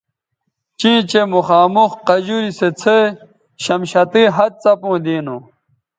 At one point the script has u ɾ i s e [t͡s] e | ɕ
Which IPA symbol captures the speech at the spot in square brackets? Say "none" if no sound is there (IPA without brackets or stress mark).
t͡sʰ